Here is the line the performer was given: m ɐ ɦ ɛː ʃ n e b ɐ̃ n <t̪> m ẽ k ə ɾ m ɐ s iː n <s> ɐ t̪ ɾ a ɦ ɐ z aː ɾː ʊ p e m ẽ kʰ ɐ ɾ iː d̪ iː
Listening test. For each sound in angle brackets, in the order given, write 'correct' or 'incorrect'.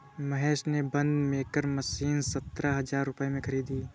incorrect, correct

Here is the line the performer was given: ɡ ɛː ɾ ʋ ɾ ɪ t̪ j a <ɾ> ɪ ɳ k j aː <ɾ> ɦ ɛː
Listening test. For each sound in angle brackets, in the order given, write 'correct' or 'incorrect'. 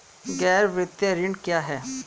correct, incorrect

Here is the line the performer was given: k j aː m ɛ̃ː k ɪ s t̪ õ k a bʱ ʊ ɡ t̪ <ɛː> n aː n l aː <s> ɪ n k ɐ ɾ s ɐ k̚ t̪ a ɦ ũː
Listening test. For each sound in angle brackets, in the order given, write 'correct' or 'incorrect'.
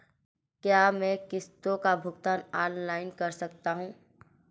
incorrect, incorrect

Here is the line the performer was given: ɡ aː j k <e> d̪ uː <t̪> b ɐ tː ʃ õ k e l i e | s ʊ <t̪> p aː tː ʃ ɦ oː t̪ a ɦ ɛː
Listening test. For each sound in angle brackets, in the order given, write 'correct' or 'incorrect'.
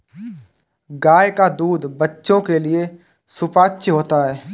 incorrect, incorrect, incorrect

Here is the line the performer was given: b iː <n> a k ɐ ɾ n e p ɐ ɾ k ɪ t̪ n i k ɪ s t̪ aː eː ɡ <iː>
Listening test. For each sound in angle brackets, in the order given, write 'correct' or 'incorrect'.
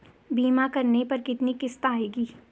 incorrect, correct

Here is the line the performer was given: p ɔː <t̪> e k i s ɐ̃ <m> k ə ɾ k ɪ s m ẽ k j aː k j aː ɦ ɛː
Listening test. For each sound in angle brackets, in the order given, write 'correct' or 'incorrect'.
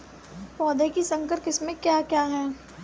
incorrect, incorrect

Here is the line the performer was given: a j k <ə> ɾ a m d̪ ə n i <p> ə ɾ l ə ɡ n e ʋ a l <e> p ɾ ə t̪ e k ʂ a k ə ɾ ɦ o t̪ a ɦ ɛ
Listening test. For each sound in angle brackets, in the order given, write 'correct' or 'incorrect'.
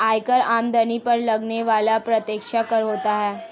correct, correct, incorrect

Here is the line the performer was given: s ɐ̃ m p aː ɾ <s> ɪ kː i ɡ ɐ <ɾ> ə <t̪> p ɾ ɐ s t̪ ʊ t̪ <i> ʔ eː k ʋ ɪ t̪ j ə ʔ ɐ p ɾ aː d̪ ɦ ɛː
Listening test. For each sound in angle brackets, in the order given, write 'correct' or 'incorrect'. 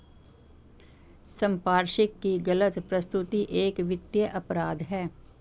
incorrect, incorrect, correct, correct

